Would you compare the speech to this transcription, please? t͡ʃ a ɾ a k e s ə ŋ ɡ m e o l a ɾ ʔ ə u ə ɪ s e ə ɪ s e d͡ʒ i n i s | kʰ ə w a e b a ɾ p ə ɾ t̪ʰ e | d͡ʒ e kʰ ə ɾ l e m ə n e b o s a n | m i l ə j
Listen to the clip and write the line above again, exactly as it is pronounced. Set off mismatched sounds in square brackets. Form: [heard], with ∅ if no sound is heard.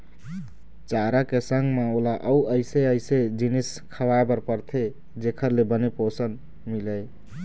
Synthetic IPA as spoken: t͡ʃ a ɾ a k e s ə ŋ ɡ m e o l a [∅] ʔ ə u ə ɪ s e ə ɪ s e d͡ʒ i n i s | kʰ ə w a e b [ə] ɾ p ə ɾ t̪ʰ e | d͡ʒ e kʰ ə ɾ l e [b] ə n e [p] o s [ə] n | m i l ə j